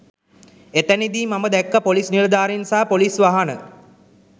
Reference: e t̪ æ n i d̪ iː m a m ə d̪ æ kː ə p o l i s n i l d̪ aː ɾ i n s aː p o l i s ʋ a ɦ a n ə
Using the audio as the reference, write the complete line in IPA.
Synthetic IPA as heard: e t̪ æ n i d̪ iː m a m ə d̪ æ kː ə p o l i s n i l d̪ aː ɾ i n s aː p o l i s ʋ a ɦ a n ə